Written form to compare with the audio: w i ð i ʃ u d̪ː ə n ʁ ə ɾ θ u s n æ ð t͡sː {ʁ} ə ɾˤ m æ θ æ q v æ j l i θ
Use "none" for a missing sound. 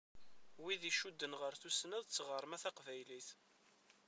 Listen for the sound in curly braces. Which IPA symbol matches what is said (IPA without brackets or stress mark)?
ʁ